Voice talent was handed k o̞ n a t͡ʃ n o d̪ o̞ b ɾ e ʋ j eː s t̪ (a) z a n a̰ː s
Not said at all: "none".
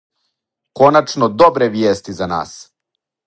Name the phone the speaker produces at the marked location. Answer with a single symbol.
i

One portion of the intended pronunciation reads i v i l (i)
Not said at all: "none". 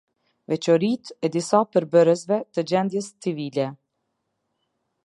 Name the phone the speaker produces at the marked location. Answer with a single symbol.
ɛ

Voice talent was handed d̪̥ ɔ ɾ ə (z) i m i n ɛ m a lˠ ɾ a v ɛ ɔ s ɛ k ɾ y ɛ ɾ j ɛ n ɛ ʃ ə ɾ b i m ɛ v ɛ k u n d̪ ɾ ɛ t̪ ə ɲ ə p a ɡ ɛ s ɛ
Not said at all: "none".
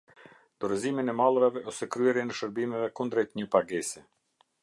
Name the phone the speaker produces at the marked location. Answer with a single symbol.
z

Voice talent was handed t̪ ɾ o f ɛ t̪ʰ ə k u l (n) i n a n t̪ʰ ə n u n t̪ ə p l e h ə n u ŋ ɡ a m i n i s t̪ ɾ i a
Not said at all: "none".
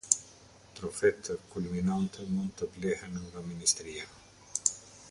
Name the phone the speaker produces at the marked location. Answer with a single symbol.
m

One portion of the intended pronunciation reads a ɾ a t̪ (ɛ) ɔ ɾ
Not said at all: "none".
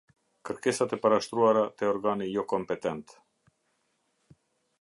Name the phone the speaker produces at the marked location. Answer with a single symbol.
ɛ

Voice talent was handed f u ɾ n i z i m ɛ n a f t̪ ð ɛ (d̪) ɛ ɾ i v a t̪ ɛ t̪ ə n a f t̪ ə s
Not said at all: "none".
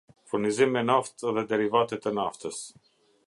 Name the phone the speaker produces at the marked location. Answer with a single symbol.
d̪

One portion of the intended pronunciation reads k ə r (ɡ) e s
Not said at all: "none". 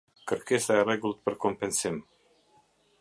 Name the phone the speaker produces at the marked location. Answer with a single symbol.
k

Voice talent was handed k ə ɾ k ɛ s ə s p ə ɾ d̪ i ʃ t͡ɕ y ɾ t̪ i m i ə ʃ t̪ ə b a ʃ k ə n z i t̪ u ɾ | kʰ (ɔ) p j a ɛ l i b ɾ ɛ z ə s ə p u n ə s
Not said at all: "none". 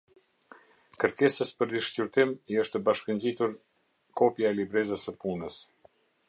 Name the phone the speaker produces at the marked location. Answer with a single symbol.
ɔ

